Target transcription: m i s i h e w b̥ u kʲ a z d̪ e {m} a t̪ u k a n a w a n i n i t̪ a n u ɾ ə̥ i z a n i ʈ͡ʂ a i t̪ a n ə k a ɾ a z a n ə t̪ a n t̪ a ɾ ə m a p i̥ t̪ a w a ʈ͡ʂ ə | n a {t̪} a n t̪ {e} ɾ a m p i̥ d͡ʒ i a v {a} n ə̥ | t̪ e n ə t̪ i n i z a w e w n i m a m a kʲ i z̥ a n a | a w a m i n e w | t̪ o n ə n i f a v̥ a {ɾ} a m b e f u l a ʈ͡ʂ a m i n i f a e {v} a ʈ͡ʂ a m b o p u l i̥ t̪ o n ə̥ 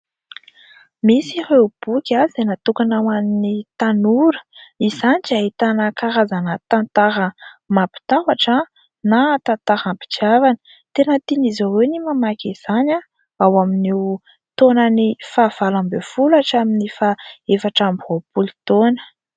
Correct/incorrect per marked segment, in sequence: incorrect: n, correct, incorrect: a, correct, incorrect: l, incorrect: f

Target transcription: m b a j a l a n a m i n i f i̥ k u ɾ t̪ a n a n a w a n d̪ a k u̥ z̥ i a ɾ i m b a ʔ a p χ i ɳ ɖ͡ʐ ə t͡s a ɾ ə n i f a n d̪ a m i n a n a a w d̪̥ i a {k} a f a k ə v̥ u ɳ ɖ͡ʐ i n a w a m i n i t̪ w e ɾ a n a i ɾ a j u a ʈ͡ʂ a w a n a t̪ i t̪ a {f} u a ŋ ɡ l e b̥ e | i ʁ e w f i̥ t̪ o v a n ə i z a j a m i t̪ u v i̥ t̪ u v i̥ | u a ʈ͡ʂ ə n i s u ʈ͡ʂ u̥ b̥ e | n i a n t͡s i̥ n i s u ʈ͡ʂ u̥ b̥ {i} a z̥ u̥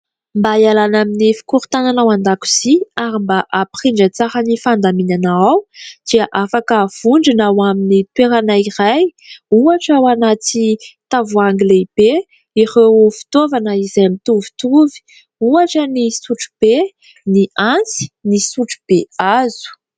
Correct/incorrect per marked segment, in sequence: incorrect: ʔ, incorrect: v, incorrect: e

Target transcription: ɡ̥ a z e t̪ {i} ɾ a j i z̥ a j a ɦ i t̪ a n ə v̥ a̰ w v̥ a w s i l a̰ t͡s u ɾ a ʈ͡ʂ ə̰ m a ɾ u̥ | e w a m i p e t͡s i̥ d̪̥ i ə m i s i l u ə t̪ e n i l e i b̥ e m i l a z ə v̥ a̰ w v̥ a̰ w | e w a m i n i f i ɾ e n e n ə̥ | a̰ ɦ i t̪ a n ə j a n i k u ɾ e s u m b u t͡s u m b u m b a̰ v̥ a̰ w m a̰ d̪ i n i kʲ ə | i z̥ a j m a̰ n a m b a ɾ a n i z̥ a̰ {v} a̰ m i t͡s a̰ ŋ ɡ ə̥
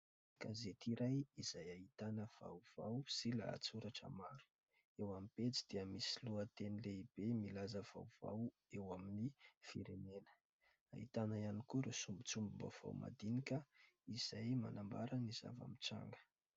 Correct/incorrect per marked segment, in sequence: correct, correct

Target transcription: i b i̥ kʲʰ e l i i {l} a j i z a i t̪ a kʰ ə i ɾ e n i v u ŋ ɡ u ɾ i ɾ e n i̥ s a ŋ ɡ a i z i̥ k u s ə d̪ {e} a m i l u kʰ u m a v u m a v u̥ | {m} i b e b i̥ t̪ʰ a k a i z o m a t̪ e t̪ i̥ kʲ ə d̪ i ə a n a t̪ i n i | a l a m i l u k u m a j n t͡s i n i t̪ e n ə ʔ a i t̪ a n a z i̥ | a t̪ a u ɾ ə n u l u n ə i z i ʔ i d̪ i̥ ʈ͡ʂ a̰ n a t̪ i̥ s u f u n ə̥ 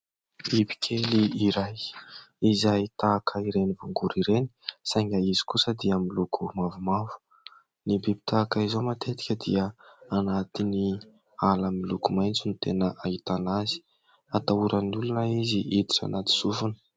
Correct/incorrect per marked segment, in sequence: incorrect: ɾ, incorrect: i, incorrect: n

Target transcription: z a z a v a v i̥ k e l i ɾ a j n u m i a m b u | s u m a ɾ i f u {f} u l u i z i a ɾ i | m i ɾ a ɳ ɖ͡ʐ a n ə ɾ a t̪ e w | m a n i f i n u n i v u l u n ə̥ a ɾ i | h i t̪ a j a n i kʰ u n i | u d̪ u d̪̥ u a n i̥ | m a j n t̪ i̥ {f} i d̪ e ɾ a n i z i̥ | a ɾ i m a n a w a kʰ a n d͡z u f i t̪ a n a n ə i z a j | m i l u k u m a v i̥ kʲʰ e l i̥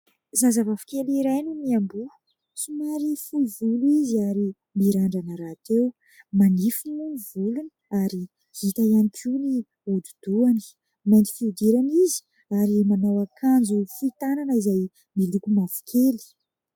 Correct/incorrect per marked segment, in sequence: incorrect: v, correct

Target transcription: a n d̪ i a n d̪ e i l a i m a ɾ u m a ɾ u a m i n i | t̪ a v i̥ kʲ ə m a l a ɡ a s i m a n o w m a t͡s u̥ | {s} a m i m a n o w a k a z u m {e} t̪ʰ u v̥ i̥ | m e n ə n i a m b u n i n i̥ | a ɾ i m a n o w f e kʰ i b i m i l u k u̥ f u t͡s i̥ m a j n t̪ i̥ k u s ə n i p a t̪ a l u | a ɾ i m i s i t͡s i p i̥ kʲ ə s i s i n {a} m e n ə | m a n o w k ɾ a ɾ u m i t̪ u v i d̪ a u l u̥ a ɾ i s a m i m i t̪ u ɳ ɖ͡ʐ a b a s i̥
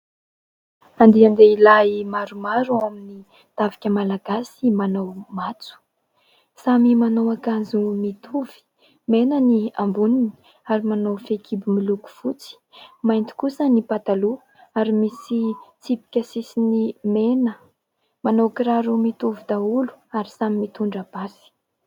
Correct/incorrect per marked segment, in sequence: correct, incorrect: i, incorrect: i

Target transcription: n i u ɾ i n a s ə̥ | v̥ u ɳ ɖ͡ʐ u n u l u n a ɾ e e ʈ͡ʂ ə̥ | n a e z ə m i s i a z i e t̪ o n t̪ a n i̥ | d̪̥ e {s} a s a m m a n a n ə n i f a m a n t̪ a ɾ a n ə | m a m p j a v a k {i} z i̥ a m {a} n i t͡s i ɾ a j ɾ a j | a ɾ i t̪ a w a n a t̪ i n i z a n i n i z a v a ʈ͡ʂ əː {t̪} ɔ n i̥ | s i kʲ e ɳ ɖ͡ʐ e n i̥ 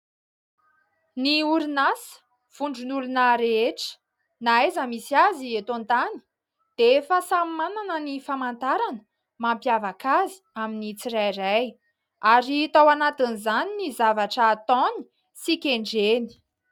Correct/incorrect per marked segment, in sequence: incorrect: f, incorrect: a, incorrect: i, correct

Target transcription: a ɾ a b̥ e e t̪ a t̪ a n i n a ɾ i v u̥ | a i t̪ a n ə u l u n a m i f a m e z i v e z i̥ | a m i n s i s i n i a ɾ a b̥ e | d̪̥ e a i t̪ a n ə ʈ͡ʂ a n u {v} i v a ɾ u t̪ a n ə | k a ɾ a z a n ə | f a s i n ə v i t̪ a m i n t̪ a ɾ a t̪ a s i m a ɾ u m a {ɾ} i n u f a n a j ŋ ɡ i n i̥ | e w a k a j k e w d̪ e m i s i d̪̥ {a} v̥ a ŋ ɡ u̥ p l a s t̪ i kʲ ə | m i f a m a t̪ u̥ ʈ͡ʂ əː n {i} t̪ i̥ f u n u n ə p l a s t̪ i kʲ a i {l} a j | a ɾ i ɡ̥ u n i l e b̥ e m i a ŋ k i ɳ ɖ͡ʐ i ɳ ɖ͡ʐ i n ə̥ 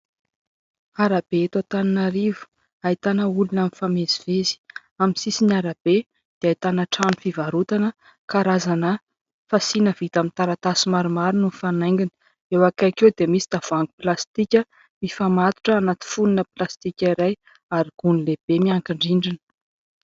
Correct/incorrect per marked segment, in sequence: incorrect: f, correct, correct, incorrect: a, incorrect: ɾ

